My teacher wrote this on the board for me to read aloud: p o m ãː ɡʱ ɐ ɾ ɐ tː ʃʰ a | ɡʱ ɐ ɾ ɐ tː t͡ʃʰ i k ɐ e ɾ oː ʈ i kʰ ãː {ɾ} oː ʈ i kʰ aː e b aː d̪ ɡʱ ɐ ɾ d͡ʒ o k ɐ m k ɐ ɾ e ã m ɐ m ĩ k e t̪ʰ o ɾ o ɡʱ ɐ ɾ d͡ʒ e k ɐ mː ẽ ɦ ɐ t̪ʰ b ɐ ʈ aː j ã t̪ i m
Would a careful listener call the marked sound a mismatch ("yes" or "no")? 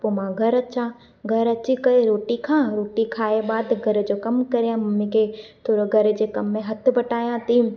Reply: no